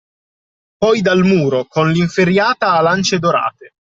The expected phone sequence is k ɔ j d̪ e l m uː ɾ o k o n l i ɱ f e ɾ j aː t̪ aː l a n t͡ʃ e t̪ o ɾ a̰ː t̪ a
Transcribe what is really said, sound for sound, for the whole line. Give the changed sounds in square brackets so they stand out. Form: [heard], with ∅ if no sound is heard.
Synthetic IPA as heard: [p] ɔ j d̪ [a] l m uː ɾ o k o n l i ɱ f e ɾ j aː t̪ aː l a n t͡ʃ e [d̪] o ɾ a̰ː t̪ [e]

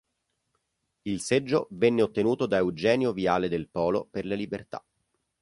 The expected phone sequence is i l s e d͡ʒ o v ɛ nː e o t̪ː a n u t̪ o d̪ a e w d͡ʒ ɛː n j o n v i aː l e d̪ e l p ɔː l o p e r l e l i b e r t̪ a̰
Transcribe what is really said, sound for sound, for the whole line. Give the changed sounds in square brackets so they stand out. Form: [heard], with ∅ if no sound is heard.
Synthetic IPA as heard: i l s e [d͡ʒː] o v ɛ nː e o t̪ː [e] n [uː] t̪ o d̪ a e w d͡ʒ ɛː n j o [∅] v i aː l e d̪ e l p ɔː l o p e r l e l i b e r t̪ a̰

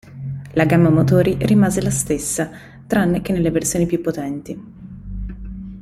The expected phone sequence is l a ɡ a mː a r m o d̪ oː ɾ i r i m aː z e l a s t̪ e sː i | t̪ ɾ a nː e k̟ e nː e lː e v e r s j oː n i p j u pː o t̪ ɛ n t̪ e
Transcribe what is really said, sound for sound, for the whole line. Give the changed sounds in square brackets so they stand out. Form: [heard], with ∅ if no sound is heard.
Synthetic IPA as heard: l a ɡ a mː a [∅] m o [t̪] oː ɾ i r i m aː z e l a s t̪ e sː [a] | t̪ ɾ a nː e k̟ e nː e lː e v e r s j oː n i p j u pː o t̪ ɛ n t̪ [i]

